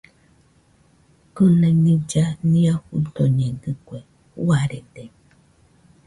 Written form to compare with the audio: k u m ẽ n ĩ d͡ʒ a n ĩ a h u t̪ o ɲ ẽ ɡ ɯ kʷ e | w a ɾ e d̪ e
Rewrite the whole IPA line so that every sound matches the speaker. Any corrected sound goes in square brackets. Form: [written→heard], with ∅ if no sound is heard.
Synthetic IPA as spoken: k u [m→n] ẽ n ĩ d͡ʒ a n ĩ a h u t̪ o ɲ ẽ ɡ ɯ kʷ e | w a ɾ e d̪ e